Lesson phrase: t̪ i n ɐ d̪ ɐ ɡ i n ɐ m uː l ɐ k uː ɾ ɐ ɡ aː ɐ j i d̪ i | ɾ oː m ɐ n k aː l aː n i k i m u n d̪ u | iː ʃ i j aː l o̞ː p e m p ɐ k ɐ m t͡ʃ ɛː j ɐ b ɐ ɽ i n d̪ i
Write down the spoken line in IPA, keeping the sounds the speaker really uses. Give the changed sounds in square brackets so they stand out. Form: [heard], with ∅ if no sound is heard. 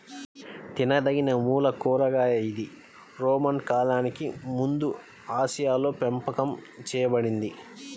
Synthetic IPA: t̪ i n ɐ d̪ ɐ ɡ i n ɐ m uː l ɐ k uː ɾ ɐ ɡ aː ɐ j i d̪ i | ɾ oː m ɐ n k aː l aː n i k i m u n d̪ u | [aː] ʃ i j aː l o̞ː p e m p ɐ k ɐ m t͡ʃ ɛː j ɐ b ɐ ɽ i n d̪ i